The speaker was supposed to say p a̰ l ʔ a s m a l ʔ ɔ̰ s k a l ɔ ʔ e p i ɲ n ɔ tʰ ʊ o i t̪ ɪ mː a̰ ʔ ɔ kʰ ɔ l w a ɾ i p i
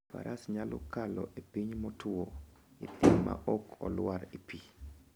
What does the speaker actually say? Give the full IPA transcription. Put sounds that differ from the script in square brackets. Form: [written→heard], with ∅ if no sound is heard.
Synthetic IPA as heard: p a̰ [l→ɾ] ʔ a s [m→ɲ] a l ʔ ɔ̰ [s→∅] k a l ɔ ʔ e p i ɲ [n→m] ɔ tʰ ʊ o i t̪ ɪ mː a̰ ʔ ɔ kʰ ɔ l w a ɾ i p i